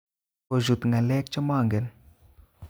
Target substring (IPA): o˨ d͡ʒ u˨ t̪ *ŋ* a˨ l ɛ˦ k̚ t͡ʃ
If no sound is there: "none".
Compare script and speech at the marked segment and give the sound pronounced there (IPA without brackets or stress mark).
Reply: ŋ